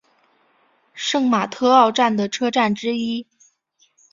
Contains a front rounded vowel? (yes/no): no